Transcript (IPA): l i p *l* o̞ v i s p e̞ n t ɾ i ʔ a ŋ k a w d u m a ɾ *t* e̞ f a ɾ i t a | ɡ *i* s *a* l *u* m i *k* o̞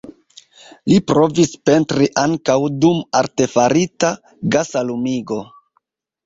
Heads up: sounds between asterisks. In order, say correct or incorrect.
incorrect: ɾ, correct, incorrect: a, correct, correct, incorrect: ɡ

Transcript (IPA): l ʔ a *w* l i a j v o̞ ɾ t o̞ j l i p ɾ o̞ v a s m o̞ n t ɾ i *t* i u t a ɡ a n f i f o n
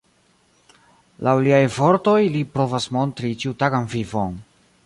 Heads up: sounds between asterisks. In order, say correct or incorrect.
correct, incorrect: t͡ʃ

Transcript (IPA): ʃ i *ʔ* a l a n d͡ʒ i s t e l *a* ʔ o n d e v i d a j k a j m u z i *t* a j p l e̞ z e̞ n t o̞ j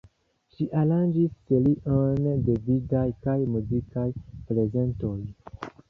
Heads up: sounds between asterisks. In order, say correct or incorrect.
correct, incorrect: i, incorrect: k

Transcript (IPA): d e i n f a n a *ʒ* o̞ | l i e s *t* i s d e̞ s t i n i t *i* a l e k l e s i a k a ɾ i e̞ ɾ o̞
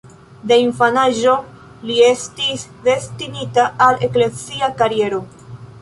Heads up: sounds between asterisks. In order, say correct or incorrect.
correct, correct, incorrect: a

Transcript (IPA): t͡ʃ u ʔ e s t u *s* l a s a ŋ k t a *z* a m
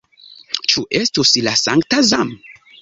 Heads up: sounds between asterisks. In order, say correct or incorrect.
correct, correct

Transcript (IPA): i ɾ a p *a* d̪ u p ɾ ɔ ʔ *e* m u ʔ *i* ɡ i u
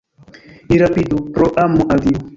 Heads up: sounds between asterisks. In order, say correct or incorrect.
incorrect: i, incorrect: a, incorrect: a

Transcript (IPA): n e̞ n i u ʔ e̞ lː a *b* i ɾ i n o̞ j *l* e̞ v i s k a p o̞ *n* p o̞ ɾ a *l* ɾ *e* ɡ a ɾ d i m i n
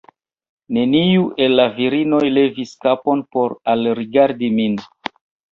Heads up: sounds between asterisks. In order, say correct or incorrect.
incorrect: v, correct, correct, correct, incorrect: i

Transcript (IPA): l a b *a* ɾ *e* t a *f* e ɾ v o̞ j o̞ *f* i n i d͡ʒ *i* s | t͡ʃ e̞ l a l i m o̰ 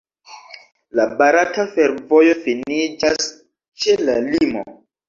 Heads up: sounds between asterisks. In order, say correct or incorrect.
correct, incorrect: a, correct, correct, incorrect: a

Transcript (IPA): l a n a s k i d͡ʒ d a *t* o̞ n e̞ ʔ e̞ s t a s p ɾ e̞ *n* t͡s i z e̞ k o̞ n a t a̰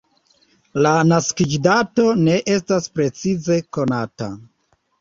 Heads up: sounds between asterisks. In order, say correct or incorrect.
correct, incorrect: none

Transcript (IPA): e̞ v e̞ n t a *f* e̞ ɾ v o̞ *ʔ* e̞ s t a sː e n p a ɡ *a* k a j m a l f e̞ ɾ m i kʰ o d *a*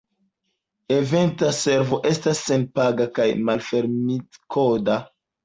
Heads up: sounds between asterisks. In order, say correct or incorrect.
incorrect: s, correct, correct, correct

